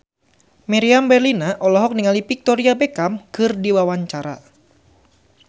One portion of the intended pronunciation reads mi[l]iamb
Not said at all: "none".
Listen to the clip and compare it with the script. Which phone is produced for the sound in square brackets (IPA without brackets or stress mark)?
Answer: ɾ